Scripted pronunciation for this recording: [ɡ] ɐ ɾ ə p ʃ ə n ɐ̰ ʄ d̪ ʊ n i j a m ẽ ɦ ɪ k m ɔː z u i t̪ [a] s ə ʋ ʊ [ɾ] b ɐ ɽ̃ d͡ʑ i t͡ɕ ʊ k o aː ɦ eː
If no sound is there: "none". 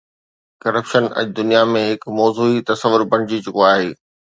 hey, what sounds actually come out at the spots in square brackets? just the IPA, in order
k, ɐ, ɾ

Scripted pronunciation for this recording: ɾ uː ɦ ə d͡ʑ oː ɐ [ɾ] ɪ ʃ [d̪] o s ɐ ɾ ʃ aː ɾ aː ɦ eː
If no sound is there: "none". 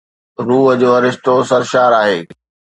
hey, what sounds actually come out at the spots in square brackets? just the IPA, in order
ɾ, t̪

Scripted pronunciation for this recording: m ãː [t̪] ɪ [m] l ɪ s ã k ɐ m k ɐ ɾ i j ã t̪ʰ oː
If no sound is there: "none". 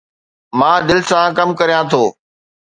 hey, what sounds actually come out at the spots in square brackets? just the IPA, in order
d̪, none

